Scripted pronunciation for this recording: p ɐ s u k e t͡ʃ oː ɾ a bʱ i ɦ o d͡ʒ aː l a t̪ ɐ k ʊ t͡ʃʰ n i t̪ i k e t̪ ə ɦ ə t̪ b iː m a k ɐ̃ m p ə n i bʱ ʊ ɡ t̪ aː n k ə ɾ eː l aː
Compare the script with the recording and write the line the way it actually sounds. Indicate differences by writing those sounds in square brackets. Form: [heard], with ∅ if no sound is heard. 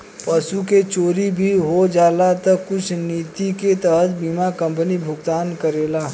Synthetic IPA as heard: p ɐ s u k e t͡ʃ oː ɾ [i] bʱ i ɦ o d͡ʒ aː l a t̪ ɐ k ʊ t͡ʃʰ n [iː] t̪ i k e t̪ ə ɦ ə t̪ b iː m a k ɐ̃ m p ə n i bʱ ʊ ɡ t̪ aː n k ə ɾ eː l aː